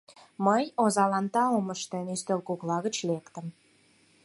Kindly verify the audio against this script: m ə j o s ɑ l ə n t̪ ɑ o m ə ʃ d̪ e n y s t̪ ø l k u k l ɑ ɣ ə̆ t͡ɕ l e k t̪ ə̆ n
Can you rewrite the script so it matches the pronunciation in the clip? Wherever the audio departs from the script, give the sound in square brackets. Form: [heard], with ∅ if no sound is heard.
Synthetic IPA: m ə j o [z] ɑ l [ɑ] n t̪ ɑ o m ə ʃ [t̪] e n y s t̪ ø l k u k l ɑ ɣ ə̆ t͡ɕ l e k t̪ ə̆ [m]